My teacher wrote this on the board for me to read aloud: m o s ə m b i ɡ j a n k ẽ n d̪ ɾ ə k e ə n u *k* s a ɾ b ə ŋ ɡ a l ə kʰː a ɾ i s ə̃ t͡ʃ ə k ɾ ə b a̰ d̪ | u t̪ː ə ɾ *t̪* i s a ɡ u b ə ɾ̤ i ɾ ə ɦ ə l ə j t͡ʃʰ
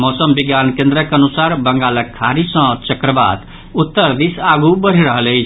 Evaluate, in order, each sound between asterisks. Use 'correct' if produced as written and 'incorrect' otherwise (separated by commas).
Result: incorrect, incorrect